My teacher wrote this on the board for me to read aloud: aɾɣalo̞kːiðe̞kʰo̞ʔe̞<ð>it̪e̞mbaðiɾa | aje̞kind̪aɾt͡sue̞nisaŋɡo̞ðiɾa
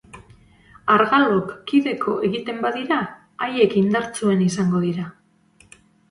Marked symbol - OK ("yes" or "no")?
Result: no